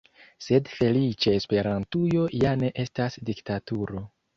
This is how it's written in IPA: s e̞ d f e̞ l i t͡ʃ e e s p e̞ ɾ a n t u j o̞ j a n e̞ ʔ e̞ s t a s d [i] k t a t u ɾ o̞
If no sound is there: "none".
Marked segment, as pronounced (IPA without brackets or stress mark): i